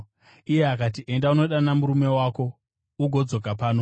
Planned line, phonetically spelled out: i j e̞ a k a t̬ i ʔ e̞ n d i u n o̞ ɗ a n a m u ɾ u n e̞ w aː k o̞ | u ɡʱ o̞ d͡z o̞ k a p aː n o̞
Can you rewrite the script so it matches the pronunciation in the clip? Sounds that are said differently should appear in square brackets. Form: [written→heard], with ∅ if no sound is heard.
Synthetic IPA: i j e̞ a k a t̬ i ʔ e̞ n d [i→a] u n o̞ ɗ a n a m u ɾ u [n→m] e̞ w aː k o̞ | u ɡʱ o̞ d͡z o̞ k a p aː n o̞